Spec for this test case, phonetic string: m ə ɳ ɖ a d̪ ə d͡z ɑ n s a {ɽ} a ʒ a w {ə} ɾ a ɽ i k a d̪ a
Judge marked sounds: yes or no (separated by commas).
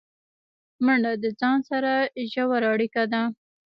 no, no